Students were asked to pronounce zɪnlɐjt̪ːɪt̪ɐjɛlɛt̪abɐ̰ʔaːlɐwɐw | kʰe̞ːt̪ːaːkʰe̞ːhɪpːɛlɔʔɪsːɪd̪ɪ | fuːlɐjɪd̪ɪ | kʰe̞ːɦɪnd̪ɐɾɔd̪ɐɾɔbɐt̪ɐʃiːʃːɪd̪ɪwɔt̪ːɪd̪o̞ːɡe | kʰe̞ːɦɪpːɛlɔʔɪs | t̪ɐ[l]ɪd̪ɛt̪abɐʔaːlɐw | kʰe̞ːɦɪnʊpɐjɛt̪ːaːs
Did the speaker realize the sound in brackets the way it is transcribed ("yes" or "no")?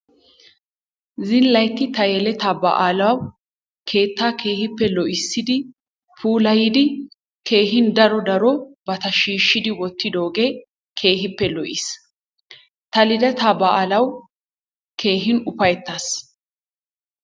yes